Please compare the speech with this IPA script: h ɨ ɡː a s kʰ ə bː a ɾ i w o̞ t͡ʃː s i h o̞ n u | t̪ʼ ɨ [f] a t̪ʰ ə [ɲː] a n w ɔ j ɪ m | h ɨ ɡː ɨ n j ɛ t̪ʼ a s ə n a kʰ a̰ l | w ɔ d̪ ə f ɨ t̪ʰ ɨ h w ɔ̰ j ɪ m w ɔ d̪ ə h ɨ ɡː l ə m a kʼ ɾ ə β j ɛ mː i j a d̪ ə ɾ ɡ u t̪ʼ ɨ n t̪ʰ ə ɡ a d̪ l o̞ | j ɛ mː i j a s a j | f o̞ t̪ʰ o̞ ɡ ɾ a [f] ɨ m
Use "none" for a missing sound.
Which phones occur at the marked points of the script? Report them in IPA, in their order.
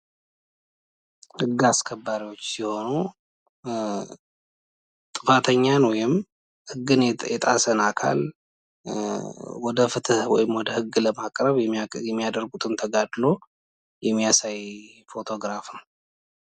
f, ɲː, f

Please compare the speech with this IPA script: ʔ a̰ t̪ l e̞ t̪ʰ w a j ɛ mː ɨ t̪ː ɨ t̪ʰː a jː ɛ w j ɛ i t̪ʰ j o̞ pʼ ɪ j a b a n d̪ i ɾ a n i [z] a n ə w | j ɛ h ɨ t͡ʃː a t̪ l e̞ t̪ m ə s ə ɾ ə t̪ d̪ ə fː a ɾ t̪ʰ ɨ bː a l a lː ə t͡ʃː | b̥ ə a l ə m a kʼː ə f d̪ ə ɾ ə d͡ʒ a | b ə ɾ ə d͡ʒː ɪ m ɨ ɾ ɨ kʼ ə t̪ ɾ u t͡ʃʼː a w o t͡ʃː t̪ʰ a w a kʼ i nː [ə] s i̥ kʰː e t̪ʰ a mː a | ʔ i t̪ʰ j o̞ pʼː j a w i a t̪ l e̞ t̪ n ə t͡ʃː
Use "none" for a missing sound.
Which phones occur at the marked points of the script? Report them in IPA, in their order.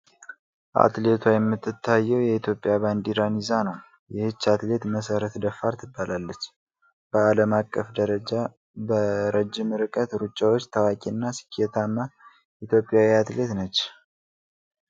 z, a

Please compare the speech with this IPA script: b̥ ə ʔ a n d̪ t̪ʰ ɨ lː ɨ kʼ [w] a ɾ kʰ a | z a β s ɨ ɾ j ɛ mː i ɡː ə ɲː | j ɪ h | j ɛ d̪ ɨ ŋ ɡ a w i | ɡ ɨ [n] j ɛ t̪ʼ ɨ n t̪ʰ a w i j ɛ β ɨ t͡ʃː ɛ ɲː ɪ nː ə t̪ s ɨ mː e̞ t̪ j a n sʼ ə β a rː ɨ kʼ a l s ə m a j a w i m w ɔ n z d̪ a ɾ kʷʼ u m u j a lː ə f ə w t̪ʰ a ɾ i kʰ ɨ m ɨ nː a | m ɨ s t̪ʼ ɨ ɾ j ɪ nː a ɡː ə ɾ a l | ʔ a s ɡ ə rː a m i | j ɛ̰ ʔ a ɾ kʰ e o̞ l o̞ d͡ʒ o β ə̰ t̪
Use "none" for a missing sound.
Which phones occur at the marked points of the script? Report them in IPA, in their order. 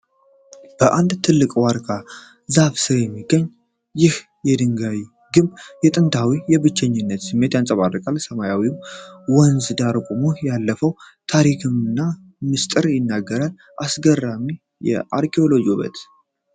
w, m

